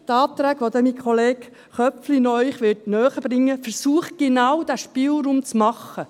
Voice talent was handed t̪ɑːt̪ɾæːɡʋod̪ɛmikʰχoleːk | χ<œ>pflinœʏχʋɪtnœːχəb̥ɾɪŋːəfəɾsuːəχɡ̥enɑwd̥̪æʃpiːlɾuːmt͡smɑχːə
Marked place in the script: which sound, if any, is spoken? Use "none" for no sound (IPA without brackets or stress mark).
œ